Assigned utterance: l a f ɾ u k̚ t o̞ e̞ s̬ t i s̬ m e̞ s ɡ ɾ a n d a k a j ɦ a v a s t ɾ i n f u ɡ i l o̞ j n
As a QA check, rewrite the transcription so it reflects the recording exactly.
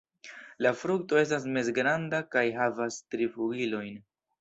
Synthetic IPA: l a f ɾ u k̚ t o̞ e̞ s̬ t a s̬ m e̞ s ɡ ɾ a n d a k a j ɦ a v a s t ɾ i f u ɡ i l o̞ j n